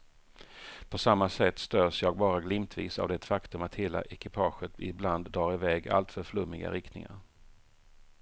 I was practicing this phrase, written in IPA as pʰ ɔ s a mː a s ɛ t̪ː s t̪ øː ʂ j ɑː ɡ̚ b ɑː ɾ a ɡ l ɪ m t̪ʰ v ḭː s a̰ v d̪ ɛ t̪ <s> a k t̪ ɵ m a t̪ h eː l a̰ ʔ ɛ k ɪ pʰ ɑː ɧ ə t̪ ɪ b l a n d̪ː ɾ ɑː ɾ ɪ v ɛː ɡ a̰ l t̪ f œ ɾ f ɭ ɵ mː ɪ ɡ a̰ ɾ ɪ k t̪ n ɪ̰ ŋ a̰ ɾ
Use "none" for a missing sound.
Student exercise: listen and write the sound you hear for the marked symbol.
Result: f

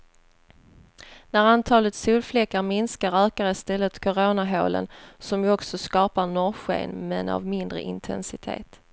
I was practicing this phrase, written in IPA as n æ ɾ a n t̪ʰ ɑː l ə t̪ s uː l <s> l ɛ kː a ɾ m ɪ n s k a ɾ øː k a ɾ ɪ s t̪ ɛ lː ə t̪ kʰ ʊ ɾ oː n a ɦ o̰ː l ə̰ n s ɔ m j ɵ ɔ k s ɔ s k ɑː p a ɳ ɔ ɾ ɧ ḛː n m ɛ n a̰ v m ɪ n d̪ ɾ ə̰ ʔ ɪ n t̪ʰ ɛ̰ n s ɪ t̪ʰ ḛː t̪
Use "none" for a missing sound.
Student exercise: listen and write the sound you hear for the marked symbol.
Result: f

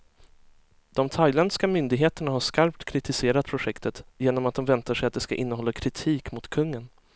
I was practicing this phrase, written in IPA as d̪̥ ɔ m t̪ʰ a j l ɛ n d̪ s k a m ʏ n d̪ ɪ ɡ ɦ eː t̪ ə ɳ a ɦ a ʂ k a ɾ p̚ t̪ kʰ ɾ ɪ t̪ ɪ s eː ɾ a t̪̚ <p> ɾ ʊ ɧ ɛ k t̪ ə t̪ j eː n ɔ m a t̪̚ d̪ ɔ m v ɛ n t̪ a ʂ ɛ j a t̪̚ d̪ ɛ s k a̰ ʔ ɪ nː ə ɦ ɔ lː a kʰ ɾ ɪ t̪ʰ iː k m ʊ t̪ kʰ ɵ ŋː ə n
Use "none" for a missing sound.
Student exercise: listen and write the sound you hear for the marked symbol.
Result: pʰ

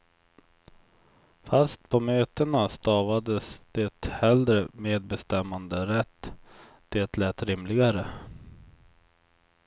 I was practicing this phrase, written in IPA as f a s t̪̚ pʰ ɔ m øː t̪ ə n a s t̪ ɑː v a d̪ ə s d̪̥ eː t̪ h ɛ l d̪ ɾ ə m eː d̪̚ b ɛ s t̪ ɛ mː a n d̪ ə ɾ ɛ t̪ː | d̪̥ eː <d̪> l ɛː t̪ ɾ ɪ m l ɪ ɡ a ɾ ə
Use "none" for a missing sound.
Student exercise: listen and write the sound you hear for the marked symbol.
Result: t̪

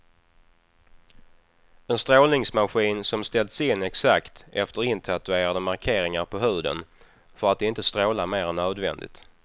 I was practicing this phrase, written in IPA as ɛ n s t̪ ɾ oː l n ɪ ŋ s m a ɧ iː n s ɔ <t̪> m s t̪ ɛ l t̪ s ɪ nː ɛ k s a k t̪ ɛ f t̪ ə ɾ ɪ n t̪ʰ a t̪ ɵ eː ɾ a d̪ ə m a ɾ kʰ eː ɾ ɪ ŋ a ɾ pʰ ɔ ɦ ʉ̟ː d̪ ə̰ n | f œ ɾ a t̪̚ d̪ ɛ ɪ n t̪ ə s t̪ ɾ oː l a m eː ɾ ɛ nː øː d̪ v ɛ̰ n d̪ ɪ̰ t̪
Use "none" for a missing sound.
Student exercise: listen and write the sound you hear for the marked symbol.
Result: none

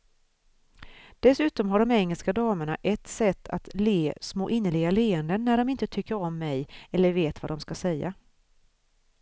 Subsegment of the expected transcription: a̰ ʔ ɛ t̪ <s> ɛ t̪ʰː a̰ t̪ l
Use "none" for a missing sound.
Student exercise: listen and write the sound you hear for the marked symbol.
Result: s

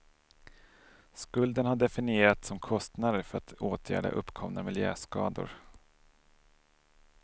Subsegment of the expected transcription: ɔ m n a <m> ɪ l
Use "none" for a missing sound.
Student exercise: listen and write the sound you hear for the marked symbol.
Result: m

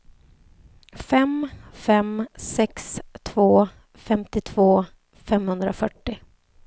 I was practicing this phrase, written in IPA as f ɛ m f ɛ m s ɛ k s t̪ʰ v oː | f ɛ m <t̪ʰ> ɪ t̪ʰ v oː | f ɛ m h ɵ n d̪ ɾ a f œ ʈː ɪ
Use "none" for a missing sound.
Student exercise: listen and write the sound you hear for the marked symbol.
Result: t̪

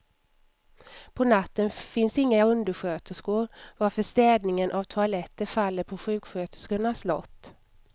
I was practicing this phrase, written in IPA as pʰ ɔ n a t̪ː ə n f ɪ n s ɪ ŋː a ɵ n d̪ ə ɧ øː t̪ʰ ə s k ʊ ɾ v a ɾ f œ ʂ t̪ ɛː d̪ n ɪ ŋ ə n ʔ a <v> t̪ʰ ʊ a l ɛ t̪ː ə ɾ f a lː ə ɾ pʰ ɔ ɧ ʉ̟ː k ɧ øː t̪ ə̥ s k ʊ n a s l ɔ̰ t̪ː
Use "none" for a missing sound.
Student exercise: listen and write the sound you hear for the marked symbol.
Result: v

